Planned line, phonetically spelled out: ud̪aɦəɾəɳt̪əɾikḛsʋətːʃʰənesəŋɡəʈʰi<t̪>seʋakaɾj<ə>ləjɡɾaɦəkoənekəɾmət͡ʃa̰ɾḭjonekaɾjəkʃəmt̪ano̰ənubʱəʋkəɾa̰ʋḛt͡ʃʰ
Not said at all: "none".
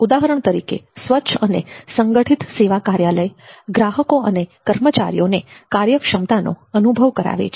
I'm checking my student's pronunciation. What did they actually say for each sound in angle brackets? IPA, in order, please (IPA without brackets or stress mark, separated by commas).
t̪, a